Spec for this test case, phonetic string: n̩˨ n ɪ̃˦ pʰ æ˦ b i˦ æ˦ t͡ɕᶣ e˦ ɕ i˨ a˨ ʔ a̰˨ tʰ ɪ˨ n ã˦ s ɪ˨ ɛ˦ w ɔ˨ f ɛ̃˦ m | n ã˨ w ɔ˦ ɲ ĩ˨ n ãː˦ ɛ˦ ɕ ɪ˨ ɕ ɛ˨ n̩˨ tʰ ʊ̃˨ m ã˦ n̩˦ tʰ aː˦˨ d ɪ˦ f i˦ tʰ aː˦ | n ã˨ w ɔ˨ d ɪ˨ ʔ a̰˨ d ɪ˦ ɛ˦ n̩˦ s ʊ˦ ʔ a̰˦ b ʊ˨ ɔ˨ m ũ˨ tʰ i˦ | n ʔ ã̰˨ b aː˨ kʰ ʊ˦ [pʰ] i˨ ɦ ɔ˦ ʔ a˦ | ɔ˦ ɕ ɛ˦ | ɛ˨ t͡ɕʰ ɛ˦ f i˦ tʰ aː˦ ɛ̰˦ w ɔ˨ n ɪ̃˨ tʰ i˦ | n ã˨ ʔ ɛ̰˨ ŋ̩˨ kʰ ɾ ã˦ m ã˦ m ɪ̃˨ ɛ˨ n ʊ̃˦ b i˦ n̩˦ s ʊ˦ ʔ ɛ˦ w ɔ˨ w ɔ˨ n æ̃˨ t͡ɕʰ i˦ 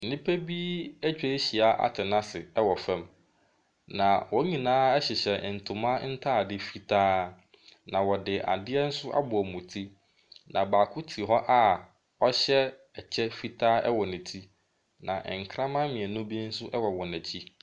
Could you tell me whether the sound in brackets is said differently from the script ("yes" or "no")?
yes